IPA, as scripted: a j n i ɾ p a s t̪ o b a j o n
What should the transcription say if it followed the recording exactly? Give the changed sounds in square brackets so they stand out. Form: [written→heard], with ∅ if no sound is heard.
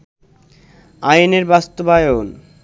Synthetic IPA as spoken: a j n [i→e] ɾ [p→b] a s t̪ o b a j o n